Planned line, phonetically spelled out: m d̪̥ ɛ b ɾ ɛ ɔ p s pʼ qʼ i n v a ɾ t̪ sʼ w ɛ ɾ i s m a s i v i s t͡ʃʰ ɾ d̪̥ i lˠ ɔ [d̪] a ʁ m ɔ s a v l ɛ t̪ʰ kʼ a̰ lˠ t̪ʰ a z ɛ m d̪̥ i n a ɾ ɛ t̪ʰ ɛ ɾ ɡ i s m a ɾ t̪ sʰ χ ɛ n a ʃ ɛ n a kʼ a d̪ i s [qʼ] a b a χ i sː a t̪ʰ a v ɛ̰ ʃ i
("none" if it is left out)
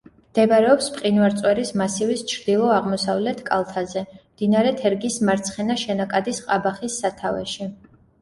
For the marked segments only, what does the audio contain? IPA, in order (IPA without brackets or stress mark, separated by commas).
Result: none, qʼ